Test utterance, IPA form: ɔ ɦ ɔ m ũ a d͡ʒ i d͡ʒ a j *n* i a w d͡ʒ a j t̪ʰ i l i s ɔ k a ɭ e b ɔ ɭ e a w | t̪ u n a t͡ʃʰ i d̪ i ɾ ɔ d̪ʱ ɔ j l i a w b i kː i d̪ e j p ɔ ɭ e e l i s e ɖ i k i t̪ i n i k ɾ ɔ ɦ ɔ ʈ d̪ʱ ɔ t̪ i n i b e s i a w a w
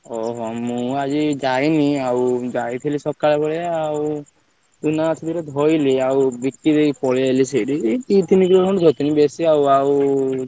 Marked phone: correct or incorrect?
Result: correct